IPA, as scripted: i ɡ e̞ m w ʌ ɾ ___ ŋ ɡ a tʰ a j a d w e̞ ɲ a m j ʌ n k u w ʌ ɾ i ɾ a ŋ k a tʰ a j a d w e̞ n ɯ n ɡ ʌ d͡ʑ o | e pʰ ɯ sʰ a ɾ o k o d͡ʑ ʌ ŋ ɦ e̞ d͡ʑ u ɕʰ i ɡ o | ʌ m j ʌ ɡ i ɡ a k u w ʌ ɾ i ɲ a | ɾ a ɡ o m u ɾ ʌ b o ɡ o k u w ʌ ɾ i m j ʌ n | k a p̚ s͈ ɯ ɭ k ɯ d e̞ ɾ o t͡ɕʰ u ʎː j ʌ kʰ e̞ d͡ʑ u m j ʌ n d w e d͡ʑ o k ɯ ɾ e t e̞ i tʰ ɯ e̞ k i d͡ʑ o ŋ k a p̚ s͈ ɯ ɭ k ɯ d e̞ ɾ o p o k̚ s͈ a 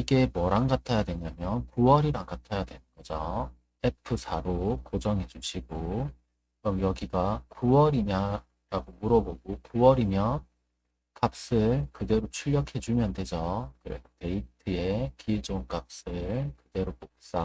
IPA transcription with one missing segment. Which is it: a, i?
a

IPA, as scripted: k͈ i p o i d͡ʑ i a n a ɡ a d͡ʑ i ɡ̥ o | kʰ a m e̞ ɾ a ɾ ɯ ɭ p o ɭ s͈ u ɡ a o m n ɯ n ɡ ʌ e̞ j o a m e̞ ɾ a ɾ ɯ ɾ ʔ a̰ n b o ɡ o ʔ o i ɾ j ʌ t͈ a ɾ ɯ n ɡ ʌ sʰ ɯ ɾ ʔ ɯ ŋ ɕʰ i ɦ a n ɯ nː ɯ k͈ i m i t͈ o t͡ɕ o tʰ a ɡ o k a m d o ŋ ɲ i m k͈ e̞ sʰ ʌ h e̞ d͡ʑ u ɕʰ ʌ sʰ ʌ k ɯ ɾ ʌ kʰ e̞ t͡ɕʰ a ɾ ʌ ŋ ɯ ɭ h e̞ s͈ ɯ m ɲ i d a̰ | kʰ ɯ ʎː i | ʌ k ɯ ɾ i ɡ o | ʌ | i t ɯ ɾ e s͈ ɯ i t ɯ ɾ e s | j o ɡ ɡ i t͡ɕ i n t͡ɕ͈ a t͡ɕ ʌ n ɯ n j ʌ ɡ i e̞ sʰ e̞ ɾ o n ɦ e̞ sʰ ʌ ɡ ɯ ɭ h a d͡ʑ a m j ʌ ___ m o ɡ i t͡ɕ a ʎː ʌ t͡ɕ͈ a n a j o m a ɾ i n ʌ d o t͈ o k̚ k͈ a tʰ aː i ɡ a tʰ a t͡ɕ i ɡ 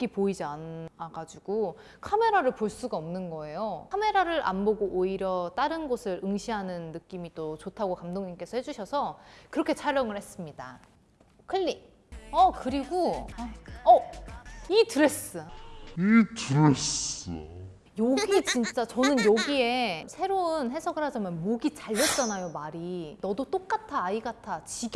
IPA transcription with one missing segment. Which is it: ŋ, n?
n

